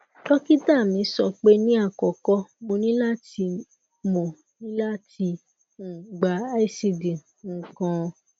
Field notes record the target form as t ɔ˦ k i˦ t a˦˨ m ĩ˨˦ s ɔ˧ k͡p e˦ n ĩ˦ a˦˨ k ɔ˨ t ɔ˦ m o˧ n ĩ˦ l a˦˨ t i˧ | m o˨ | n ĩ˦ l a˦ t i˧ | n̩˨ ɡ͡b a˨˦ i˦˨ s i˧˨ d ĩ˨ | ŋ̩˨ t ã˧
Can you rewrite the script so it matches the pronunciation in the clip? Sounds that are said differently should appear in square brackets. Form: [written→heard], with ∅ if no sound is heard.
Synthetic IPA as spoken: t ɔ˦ k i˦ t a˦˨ m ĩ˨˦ s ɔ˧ k͡p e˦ n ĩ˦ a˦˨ k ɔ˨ [t→k] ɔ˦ m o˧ n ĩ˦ l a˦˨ t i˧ | m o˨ | n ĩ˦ l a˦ t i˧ | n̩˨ ɡ͡b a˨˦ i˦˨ s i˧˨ d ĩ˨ | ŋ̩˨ [t→k] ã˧